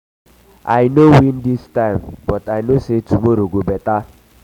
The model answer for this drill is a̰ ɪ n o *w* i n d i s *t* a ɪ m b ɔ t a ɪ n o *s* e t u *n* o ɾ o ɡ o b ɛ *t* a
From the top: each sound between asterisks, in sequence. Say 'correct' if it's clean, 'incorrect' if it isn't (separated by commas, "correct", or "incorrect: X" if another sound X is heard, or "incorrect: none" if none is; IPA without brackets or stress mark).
correct, correct, correct, incorrect: m, correct